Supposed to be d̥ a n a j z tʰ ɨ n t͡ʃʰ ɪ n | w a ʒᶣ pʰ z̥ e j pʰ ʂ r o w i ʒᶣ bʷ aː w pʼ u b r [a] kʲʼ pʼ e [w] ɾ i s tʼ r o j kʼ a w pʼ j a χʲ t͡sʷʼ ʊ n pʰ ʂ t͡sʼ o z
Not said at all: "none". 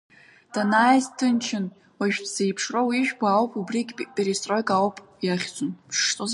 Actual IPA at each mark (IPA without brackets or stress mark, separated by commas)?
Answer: i, none